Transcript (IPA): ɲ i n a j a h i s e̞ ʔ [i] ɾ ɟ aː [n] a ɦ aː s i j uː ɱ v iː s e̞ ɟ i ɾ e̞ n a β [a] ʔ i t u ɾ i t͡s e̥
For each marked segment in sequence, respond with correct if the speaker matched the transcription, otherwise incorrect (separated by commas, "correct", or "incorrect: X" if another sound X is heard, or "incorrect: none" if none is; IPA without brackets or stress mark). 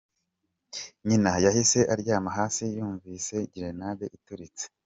incorrect: a, incorrect: m, incorrect: e